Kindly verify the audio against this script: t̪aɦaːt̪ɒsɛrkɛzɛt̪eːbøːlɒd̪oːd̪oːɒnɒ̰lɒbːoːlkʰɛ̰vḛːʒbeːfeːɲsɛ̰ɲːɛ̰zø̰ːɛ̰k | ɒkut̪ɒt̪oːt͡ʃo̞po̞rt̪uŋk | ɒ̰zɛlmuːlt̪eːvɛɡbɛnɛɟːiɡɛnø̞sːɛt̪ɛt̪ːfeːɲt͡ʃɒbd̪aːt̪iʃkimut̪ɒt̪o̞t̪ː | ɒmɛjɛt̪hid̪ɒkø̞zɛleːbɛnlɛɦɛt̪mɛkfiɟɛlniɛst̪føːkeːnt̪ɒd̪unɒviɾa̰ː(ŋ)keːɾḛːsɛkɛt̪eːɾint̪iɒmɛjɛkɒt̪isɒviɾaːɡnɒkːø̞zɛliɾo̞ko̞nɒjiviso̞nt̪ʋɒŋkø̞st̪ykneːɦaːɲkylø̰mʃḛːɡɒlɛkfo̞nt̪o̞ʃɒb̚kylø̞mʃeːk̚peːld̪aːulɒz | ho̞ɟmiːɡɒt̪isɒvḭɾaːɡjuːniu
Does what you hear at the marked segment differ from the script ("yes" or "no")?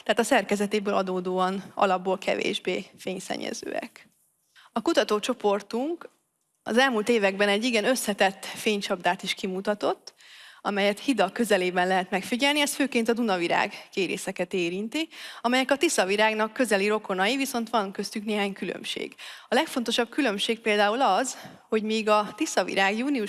yes